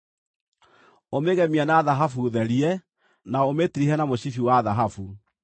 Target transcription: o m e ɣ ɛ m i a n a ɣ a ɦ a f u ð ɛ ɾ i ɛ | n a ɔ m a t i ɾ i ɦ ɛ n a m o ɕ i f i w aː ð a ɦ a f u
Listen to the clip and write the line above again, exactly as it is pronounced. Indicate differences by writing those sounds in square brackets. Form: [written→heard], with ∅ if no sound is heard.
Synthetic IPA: o m e ɣ ɛ m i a n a [ɣ→ð] a ɦ a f u ð ɛ ɾ i ɛ | n a [ɔ→o] m [a→e] t i ɾ i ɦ ɛ n a m o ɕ i f i w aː ð a ɦ a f u